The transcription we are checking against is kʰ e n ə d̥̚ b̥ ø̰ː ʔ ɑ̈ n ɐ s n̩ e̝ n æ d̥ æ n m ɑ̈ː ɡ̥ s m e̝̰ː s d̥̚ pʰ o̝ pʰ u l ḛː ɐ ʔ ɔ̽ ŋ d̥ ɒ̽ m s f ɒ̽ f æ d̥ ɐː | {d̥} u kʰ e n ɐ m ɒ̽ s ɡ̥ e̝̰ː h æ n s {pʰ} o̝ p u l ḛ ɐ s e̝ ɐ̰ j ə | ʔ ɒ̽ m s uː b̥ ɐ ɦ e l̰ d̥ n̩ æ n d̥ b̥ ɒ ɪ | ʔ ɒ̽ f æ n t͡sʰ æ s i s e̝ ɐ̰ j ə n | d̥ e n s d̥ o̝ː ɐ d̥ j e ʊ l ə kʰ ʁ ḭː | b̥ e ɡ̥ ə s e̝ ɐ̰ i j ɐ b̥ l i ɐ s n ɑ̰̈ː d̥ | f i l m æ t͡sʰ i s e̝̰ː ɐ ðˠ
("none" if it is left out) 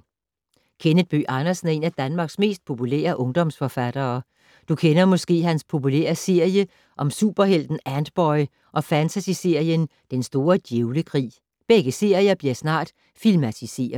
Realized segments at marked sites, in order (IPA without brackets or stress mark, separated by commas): d̥, pʰ